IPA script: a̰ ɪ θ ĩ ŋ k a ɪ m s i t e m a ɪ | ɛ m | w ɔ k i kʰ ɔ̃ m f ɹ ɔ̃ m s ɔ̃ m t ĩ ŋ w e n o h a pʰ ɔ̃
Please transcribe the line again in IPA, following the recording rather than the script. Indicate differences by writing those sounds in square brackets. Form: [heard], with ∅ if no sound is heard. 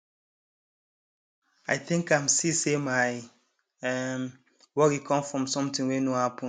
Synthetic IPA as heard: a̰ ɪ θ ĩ ŋ k a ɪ m s i [s] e m a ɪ | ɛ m | w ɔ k i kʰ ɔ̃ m f ɹ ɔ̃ m s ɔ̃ m t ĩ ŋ w e n o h a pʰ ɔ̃